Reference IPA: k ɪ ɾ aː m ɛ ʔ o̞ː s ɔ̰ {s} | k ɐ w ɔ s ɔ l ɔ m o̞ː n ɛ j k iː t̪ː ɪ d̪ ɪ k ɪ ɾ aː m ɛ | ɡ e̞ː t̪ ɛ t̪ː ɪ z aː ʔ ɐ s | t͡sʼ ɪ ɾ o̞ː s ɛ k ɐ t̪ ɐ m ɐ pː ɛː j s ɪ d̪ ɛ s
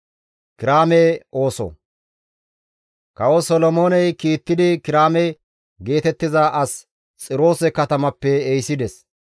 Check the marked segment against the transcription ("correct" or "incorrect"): incorrect